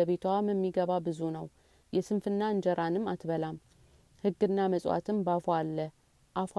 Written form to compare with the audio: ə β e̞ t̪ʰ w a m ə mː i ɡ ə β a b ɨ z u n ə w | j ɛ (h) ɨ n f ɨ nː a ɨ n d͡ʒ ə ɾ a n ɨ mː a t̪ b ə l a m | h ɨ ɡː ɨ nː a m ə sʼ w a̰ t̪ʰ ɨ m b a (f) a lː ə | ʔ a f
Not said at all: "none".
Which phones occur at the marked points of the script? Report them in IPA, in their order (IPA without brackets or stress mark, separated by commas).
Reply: s, f